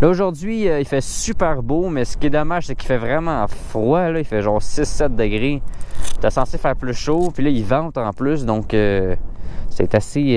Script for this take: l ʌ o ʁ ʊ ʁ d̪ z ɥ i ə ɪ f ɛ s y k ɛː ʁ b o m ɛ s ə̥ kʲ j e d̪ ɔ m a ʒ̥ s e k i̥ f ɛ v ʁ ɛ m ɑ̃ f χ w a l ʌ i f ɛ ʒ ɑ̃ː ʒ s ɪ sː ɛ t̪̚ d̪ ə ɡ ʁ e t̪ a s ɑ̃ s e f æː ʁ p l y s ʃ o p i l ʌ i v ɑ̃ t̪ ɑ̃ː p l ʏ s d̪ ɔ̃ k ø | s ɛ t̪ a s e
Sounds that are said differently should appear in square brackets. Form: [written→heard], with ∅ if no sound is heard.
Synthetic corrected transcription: l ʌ o [ʁ→ʒ] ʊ ʁ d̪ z ɥ i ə [ɪ→i] f ɛ s y [k→p] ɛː ʁ b o m ɛ s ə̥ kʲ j e d̪ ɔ m a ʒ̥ s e k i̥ f ɛ v ʁ ɛ m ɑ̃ f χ w a l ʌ i f ɛ ʒ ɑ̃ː [ʒ→ʁ] s ɪ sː ɛ t̪̚ d̪ ə ɡ ʁ e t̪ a s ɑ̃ s e f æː ʁ p l y s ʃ o p i l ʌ i v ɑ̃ t̪ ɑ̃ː p l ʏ s d̪ ɔ̃ k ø | s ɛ t̪ a s e